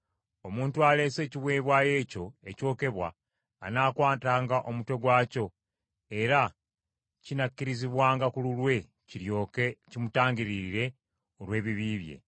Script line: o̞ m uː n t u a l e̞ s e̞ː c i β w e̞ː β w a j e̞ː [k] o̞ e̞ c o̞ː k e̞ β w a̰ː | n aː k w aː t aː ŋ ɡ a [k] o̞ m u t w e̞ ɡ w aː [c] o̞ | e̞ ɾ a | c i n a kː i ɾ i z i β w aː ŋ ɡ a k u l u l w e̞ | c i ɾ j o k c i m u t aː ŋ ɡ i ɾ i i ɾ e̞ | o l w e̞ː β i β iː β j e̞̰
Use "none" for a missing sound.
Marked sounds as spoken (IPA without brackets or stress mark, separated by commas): c, ʔ, c